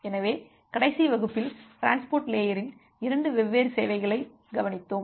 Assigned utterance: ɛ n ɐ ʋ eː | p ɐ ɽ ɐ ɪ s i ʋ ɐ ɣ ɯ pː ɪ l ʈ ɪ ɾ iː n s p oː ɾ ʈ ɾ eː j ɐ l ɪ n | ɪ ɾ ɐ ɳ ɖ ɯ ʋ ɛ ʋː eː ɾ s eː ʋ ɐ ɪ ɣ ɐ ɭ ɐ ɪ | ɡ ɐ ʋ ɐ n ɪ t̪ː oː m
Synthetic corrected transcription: ɛ n ɐ ʋ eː | k ɐ ɽ ɐ ɪ s i ʋ ɐ ɣ ɯ pː ɪ l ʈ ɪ ɾ aː n s p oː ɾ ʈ l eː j ɐ ɾ ɪ n | ɪ ɾ ɐ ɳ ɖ ɯ ʋ ɛ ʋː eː ɾ s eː ʋ ɐ ɪ ɣ ɐ ɭ ɐ ɪ | ɡ ɐ ʋ ɐ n ɪ t̪ː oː m